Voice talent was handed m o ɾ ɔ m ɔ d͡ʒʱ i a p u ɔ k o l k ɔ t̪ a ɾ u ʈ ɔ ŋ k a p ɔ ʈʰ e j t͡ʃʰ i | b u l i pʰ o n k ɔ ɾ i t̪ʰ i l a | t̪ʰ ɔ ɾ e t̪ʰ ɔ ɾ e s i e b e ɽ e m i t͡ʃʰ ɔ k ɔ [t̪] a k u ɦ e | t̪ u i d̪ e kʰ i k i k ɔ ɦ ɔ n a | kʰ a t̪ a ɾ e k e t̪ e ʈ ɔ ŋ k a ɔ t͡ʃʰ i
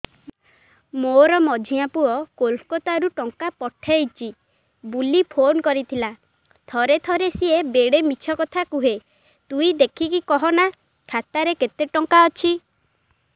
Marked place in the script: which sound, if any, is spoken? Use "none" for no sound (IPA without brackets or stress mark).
t̪ʰ